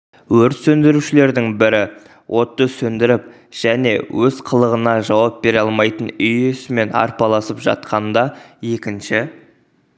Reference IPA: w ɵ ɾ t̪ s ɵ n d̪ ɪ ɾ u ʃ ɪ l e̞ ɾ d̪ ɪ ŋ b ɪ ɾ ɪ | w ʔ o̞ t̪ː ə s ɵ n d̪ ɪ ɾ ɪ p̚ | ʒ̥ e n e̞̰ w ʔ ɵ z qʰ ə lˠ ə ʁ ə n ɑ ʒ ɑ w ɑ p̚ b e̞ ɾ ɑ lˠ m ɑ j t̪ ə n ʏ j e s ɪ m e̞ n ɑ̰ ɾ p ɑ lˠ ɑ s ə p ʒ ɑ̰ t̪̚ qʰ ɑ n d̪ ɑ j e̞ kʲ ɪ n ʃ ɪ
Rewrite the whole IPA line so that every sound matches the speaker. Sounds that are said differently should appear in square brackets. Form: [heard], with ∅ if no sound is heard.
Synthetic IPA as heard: w ɵ ɾ t̪ s ɵ n d̪ ɪ ɾ u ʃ ɪ l e̞ ɾ d̪ ɪ ŋ b ɪ ɾ ɪ | w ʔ o̞ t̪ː ə s ɵ n d̪ ɪ ɾ ɪ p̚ | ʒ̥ [æ] n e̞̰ w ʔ ɵ z qʰ ə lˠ ə ʁ ə n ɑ ʒ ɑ w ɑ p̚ b e̞ ɾ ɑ lˠ m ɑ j t̪ ə n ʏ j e s ɪ m e̞ n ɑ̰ ɾ p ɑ lˠ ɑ s ə p ʒ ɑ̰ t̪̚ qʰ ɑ n d̪ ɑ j e̞ kʲ ɪ n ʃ ɪ

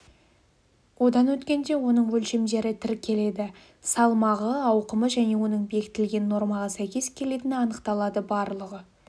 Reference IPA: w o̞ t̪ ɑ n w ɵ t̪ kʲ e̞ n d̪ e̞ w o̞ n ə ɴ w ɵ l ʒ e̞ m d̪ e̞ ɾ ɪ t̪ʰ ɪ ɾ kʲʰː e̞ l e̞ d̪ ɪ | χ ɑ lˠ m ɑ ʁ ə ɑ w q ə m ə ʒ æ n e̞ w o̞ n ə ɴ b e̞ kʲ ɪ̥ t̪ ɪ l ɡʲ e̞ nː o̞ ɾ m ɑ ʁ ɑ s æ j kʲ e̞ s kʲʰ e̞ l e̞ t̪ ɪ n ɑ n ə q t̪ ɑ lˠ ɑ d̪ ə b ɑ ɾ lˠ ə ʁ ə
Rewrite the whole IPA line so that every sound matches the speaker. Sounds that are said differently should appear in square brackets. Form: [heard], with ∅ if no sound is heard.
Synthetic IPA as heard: w o̞ [d̪] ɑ n w ɵ t̪ kʲ e̞ n d̪ e̞ w o̞ n ə ɴ w ɵ l [ʃ] e̞ m d̪ e̞ ɾ ɪ t̪ʰ ɪ ɾ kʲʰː e̞ l e̞ d̪ ɪ | [s] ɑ lˠ m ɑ ʁ ə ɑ w q ə m ə ʒ æ n e̞ w o̞ n ə ɴ b e̞ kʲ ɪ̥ t̪ ɪ l ɡʲ e̞ nː o̞ ɾ m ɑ ʁ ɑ s æ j kʲ e̞ s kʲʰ e̞ l e̞ t̪ ɪ n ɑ n ə q t̪ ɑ lˠ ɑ d̪ ə b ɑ ɾ lˠ ə ʁ ə

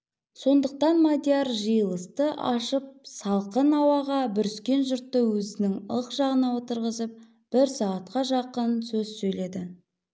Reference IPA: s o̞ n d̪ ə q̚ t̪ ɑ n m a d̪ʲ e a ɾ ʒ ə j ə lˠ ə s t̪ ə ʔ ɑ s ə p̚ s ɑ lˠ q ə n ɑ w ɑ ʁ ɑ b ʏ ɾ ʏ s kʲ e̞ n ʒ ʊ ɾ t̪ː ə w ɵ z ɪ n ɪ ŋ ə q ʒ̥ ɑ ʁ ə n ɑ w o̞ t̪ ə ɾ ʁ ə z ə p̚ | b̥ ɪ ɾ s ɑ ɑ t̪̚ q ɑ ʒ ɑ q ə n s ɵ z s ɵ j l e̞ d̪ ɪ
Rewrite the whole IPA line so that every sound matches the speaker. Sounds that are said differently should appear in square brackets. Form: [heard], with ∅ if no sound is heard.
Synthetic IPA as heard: s o̞ n d̪ ə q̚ t̪ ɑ n m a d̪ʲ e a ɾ ʒ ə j ə lˠ ə s t̪ ə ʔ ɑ [ʃ] ə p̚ s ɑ lˠ q ə n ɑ w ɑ ʁ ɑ b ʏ ɾ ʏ s kʲ e̞ n ʒ ʊ ɾ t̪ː ə w ɵ z ɪ n ɪ ŋ ə q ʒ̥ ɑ ʁ ə n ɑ w o̞ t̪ ə ɾ ʁ ə z ə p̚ | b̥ ɪ ɾ s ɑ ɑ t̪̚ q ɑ ʒ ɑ q ə n s ɵ z s ɵ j l e̞ d̪ ɪ

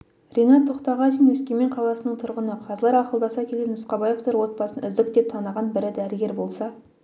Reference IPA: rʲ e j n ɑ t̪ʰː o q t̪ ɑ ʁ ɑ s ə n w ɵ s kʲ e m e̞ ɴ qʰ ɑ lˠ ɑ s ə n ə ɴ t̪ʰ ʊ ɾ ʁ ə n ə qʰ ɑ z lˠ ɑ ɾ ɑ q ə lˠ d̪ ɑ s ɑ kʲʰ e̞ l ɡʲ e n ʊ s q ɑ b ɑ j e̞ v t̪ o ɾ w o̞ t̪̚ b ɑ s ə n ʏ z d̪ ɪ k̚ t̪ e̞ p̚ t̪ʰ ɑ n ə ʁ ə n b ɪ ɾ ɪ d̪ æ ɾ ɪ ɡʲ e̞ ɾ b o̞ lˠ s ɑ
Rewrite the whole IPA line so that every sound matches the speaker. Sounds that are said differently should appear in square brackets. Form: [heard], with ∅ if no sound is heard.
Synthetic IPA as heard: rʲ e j n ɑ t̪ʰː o q t̪ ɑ ʁ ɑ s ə n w ɵ s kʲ e m e̞ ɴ qʰ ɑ lˠ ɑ s ə n ə ɴ t̪ʰ ʊ ɾ ʁ ə n ə qʰ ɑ z lˠ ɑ ɾ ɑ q ə lˠ d̪ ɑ s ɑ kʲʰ e̞ l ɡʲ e n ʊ s q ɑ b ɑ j e̞ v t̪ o ɾ w o̞ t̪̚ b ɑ s ə n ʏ z d̪ ɪ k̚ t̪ e̞ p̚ t̪ʰ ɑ n ə ʁ [ɑ] n b ɪ ɾ ɪ d̪ æ ɾ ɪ ɡʲ e̞ ɾ b o̞ lˠ s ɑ

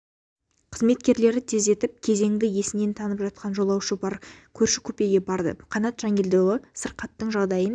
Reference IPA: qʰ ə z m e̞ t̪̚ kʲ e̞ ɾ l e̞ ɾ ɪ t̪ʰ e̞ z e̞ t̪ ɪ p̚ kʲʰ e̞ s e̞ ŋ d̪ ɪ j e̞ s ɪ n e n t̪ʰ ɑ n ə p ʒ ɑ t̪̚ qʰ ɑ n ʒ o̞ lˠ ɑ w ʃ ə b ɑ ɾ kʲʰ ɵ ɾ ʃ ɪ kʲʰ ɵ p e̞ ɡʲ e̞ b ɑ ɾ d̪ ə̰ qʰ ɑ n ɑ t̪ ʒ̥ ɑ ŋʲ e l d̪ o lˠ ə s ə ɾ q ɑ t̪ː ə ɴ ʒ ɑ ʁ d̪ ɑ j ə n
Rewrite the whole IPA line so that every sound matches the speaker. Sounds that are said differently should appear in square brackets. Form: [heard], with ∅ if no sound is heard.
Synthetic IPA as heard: qʰ ə z m e̞ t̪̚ kʲ e̞ ɾ l e̞ ɾ ɪ t̪ʰ e̞ z e̞ t̪ ɪ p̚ kʲʰ e̞ [z] e̞ ŋ d̪ ɪ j e̞ s ɪ n e n t̪ʰ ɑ n ə p ʒ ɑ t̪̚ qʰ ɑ n ʒ o̞ lˠ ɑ w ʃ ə b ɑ ɾ kʲʰ ɵ ɾ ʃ ɪ kʲʰ ɵ p e̞ ɡʲ e̞ b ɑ ɾ d̪ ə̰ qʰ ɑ n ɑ t̪ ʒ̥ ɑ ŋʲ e l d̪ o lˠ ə s ə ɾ q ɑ t̪ː ə ɴ ʒ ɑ ʁ d̪ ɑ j ə n

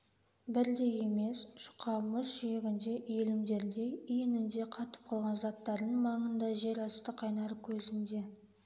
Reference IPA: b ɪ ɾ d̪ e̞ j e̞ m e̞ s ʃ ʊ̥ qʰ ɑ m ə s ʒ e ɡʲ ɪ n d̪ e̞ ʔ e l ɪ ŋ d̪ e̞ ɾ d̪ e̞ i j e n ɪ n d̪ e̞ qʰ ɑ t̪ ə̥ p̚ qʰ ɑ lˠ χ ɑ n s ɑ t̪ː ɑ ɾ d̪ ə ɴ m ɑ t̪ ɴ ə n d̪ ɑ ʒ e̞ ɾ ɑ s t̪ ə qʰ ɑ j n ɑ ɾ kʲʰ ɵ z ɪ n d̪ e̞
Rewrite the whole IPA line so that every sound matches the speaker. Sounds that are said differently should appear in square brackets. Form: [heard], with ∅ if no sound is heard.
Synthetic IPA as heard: b ɪ ɾ d̪ e̞ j e̞ m e̞ s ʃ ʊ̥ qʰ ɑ m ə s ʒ e ɡʲ ɪ n d̪ e̞ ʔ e l ɪ [m] d̪ e̞ ɾ d̪ e̞ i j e n ɪ n d̪ e̞ qʰ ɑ t̪ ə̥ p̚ qʰ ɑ lˠ [ʁ] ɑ n [z] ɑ t̪ː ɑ ɾ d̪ ə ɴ m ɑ [∅] ɴ ə n d̪ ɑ ʒ e̞ ɾ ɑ s t̪ ə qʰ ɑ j n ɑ ɾ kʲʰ ɵ z ɪ n d̪ e̞

